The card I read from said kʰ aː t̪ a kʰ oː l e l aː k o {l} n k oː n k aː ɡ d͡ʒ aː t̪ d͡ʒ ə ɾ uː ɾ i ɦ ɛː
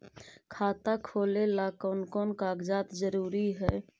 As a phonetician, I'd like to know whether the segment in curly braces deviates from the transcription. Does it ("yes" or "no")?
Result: yes